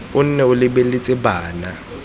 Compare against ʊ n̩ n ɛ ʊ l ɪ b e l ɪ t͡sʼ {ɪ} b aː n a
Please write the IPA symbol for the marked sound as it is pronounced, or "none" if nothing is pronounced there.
ɪ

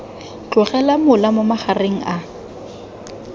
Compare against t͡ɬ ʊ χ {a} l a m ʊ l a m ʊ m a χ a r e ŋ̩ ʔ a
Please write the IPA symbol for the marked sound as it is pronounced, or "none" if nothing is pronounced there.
ɛ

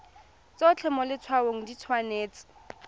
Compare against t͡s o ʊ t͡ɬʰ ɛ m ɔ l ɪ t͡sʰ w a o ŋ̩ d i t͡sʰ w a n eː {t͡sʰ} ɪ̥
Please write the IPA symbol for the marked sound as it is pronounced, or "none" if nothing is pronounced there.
t͡s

